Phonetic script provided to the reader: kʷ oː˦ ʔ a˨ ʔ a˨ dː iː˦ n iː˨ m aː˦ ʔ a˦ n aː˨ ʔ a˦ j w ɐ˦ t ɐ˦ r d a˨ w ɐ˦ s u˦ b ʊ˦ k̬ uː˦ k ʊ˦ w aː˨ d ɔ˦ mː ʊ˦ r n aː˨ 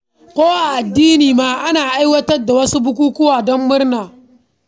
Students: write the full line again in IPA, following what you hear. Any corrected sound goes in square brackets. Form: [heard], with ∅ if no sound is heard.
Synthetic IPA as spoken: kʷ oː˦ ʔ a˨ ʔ a˨ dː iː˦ n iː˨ m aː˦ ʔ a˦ n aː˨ ʔ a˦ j w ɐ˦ t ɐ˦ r d a˨ w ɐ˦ s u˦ b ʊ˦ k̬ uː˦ k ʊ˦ w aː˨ d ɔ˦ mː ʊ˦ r n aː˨